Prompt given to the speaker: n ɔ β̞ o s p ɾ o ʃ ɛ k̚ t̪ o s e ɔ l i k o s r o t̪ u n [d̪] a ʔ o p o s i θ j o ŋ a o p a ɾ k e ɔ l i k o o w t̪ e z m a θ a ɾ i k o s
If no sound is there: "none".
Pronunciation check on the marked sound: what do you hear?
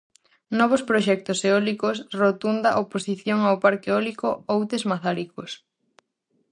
d̪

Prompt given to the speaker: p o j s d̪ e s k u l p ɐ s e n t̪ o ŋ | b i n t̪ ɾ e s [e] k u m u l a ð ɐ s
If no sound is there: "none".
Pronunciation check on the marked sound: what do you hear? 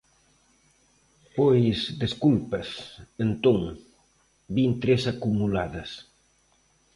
a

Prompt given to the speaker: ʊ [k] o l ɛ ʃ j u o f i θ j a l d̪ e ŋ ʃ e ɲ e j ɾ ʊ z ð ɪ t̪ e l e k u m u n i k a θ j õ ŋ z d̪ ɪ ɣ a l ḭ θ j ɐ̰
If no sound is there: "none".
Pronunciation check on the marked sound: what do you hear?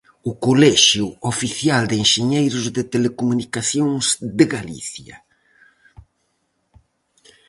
k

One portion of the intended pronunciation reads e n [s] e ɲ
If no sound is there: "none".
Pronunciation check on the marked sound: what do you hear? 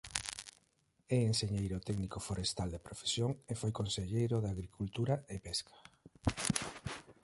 s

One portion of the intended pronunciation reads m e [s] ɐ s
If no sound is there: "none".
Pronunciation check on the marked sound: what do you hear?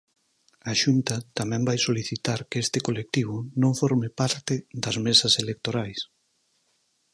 s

